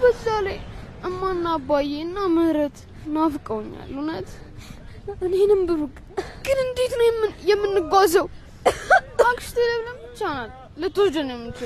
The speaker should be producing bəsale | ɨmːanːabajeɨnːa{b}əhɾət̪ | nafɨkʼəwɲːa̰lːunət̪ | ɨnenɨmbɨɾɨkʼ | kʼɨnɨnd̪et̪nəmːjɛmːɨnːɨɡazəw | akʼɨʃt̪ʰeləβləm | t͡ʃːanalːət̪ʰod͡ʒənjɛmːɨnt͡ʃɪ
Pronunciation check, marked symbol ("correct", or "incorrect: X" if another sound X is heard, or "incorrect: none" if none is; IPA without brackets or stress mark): incorrect: m